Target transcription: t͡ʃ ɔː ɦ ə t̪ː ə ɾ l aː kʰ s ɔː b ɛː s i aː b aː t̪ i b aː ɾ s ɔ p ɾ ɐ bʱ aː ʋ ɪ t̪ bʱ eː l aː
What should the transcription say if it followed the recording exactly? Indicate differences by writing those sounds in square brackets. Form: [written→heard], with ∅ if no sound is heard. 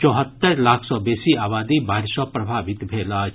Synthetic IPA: t͡ʃ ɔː ɦ ə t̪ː ə ɾ l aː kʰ s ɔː b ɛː s i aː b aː [t̪→d̪] i b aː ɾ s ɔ p ɾ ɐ bʱ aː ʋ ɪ t̪ bʱ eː l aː